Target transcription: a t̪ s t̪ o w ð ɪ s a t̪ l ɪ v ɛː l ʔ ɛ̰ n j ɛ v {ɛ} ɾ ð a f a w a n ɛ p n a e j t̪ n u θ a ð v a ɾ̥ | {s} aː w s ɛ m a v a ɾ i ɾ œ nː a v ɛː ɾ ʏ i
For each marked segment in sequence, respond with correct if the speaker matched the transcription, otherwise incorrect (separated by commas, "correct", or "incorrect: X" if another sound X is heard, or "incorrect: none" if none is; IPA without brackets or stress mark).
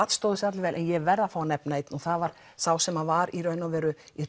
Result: correct, correct